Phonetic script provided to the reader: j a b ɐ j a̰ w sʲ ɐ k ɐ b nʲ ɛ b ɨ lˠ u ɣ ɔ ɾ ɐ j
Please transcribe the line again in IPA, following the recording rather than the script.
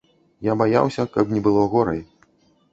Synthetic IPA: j a b a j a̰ w sʲ ɐ k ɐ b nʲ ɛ b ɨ lˠ ɔ ɣ ɔ ɾ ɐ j